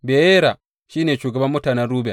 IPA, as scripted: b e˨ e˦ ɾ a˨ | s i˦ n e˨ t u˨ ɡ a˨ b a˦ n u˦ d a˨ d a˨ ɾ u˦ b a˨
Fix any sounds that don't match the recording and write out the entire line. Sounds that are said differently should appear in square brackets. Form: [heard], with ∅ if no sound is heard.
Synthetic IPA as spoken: b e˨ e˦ ɾ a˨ | [ʃ] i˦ n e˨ [t͡ʃ] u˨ ɡ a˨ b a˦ [m] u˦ [t] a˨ [n] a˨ ɾ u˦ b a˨